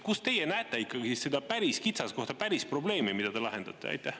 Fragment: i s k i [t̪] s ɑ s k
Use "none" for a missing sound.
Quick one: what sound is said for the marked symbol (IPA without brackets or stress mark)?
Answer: t̪